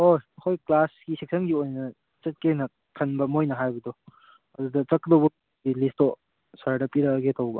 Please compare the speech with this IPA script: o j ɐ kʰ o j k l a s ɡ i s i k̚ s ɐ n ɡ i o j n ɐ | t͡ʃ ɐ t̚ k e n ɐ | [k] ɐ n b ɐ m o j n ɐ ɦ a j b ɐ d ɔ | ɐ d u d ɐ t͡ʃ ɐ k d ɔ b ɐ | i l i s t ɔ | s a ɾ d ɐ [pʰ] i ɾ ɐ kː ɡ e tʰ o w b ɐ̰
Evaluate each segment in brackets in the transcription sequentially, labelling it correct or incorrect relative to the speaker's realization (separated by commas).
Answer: incorrect, incorrect